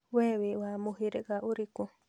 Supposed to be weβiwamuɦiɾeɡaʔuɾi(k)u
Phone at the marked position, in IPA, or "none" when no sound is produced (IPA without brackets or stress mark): k